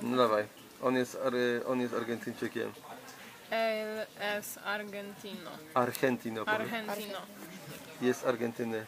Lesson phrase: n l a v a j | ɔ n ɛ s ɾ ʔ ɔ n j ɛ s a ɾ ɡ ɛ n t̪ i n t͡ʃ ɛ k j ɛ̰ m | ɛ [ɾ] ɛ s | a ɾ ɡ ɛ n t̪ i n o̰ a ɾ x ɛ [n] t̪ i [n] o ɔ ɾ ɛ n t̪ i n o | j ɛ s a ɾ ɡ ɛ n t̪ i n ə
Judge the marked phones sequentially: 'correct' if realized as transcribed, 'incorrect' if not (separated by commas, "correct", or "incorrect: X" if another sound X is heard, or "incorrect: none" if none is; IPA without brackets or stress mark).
incorrect: l, correct, correct